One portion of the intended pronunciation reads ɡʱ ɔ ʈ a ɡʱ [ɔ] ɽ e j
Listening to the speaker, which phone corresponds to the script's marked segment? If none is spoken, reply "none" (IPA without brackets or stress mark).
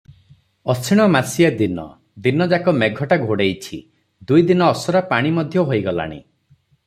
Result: o